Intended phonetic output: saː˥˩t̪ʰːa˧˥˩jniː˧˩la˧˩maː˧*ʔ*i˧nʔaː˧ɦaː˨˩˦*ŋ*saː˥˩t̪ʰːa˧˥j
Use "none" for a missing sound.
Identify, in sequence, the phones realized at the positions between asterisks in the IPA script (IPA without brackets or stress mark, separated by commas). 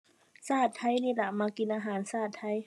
k, n